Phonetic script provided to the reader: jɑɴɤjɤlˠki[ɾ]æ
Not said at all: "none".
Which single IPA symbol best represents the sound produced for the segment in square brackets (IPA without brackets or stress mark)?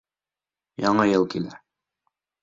l